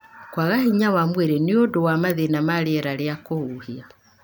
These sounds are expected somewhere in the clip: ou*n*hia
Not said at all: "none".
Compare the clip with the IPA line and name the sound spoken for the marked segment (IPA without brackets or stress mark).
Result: none